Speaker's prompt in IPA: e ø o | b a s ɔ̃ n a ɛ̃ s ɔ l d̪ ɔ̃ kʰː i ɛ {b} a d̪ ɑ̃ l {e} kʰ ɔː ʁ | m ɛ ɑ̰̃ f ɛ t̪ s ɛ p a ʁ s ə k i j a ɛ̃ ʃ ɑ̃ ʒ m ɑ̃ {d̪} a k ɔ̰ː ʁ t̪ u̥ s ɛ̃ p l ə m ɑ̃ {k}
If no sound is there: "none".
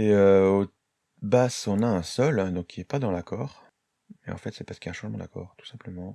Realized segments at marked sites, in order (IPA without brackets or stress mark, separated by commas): p, a, d̪, none